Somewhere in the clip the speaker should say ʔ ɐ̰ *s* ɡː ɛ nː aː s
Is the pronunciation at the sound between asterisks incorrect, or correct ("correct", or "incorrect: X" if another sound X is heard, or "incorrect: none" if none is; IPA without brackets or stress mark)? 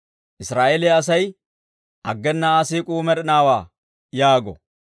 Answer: incorrect: none